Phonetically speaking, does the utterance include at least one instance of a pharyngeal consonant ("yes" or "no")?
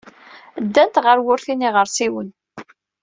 no